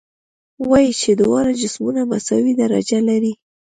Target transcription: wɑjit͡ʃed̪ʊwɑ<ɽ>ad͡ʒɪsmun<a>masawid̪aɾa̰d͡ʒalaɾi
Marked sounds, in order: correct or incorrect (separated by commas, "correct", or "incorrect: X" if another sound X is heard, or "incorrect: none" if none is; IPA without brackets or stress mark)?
incorrect: ɾ, correct